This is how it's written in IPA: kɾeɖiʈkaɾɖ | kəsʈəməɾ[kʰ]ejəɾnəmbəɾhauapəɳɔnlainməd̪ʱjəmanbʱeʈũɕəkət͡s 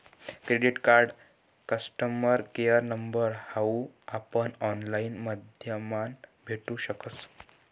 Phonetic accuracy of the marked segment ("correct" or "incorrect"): incorrect